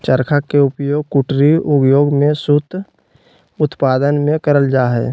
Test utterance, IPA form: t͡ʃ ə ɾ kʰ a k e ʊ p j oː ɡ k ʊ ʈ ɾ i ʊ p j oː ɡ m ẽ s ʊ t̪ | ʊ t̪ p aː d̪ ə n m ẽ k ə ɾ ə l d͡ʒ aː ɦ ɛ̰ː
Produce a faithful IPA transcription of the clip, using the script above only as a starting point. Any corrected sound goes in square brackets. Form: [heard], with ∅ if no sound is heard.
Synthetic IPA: t͡ʃ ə ɾ kʰ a k e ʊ p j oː ɡ k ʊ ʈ ɾ i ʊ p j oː ɡ m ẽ s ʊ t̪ | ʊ t̪ p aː d̪ ə n m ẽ k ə ɾ ə l d͡ʒ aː ɦ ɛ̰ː

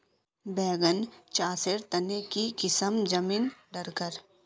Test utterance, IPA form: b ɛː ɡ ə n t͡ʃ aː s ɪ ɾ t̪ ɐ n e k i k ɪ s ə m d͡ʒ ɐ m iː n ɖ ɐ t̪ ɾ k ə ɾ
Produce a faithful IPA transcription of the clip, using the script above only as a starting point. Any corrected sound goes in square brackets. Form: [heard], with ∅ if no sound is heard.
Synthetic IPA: b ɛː ɡ ə n t͡ʃ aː s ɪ ɾ t̪ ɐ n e k i k ɪ s ə m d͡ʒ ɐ m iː n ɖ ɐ [∅] ɾ k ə ɾ

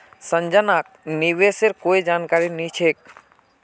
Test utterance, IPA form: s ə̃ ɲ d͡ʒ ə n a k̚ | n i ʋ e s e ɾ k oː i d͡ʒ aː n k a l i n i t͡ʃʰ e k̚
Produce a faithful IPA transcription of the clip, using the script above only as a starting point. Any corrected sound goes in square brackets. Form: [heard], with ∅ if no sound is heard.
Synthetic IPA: s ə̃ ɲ d͡ʒ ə n a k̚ | n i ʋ e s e ɾ k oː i d͡ʒ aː n k a [ɾ] i n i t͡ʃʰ e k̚

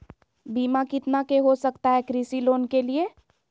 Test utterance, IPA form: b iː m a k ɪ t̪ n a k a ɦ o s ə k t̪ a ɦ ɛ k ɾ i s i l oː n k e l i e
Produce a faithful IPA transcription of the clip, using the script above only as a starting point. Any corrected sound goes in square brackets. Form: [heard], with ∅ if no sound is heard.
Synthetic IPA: b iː m a k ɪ t̪ n a k [e] ɦ o s ə k t̪ a ɦ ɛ k ɾ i s i l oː n k e l i e

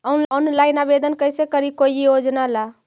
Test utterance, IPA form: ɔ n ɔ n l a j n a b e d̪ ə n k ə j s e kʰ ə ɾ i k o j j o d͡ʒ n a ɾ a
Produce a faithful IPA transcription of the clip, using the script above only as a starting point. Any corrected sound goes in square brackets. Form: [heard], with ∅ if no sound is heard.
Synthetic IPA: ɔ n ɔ n l a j n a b e d̪ ə n k ə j s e [k] ə ɾ i k o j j o d͡ʒ n a [l] a

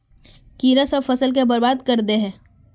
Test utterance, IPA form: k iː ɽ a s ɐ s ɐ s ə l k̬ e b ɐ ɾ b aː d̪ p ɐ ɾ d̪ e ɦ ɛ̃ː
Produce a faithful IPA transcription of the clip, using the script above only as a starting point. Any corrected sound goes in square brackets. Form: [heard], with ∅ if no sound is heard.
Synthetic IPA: k iː [ɾ] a s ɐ [f] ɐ s ə l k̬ e b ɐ ɾ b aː d̪ [k] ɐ ɾ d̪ e ɦ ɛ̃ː

